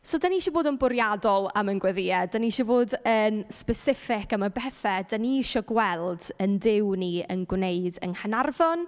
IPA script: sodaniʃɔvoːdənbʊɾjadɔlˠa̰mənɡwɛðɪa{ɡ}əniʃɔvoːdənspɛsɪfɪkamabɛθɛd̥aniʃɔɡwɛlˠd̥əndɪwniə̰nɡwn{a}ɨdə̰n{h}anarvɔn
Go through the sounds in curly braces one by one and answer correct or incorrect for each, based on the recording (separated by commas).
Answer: incorrect, incorrect, correct